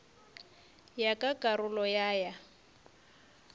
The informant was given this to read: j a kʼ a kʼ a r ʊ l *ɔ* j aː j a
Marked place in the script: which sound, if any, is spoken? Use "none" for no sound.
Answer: ɔ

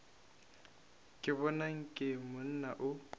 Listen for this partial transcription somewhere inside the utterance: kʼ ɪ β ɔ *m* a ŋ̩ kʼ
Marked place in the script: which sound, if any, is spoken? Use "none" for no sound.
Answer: n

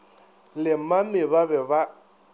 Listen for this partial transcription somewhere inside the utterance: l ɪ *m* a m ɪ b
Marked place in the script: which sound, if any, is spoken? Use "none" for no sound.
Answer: m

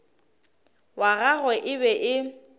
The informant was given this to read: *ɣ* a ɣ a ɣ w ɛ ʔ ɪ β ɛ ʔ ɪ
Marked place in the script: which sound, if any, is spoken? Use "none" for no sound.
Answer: w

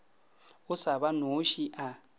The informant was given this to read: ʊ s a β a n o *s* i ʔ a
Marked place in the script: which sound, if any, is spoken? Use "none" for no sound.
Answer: ʃ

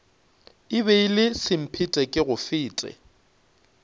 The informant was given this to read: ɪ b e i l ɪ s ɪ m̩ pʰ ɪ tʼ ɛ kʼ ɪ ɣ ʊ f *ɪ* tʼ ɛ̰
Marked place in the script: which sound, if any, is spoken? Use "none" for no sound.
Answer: ɪː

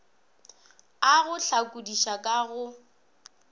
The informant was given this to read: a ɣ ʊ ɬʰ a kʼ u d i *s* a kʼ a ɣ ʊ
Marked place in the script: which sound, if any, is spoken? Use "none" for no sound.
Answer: ʃ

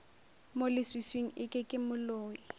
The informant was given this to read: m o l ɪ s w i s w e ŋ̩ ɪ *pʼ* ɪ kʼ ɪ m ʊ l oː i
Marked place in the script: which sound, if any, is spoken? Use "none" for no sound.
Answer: kʼ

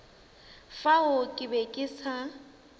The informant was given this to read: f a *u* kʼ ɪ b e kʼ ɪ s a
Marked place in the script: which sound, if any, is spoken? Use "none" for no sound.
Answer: ʊ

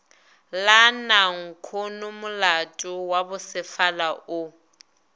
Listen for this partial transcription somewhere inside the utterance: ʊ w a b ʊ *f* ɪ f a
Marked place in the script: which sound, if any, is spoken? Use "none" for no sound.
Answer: s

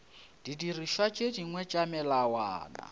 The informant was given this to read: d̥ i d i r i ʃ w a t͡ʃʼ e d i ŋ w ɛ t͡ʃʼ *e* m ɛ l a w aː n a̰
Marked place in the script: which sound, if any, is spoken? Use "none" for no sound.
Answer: a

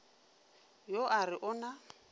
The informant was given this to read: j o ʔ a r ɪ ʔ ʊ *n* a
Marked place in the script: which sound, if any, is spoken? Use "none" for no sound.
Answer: n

